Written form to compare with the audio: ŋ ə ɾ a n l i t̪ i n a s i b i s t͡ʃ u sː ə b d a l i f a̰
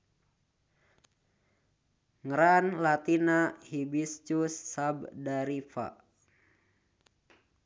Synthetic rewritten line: ŋ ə ɾ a n l a t̪ i n a h i b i s t͡ʃ u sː a b d a ɾ i f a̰